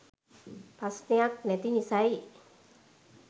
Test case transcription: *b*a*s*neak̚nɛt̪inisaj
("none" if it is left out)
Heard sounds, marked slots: p, s

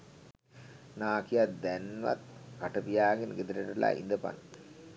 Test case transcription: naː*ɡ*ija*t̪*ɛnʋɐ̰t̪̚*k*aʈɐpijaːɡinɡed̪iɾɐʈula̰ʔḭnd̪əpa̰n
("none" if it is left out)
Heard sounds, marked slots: k, d̪, k

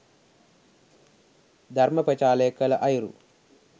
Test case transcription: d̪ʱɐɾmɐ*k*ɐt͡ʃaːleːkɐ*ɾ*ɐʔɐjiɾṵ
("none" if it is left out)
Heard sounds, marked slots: p, l

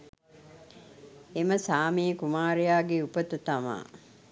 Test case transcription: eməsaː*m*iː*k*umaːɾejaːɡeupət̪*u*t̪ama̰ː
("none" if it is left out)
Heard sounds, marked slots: m, k, u

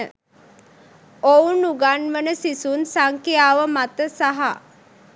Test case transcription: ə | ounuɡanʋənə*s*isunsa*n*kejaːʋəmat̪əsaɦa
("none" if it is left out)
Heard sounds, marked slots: s, ŋ

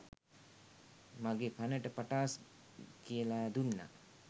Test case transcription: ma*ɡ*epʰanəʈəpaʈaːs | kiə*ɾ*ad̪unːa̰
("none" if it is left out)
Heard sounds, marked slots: ɡ, l

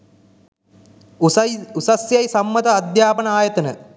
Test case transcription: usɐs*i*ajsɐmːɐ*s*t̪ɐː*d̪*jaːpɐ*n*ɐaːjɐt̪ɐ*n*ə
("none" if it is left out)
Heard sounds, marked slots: j, none, d̪, n, n

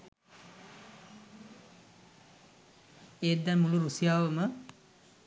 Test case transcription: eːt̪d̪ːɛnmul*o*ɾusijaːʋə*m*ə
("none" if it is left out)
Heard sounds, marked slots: u, m

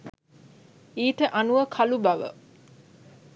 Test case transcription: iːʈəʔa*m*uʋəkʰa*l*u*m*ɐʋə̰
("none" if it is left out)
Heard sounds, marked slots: n, l, b

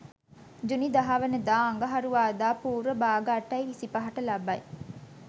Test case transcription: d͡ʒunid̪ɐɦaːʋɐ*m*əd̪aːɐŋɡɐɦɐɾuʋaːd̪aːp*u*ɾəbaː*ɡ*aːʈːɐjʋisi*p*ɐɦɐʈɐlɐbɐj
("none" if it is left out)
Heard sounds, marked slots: n, uː, ɡ, p

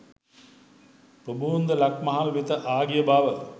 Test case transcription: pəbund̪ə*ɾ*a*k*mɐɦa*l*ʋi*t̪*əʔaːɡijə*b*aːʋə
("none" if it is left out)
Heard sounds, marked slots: l, k, l, t̪, b

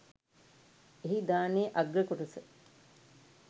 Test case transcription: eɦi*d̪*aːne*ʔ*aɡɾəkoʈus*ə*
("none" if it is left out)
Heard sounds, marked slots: d̪, ʔ, ə

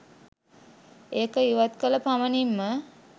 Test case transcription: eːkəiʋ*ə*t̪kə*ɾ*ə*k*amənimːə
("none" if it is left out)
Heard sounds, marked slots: a, l, p

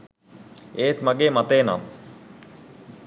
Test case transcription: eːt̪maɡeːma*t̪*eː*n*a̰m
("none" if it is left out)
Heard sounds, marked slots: t̪, n

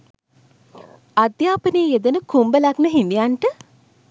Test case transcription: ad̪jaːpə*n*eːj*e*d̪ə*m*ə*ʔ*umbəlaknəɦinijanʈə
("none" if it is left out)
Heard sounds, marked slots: n, e, n, k

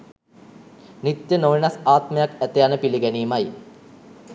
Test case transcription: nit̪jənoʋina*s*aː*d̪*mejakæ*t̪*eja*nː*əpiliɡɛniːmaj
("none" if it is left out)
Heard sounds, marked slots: s, t̪, t̪, n

